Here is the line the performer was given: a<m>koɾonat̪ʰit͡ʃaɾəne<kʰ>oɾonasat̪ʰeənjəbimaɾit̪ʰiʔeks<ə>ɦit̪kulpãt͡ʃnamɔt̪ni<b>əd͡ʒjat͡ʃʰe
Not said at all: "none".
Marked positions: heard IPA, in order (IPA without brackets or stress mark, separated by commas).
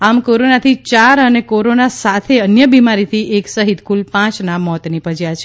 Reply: m, k, ə, p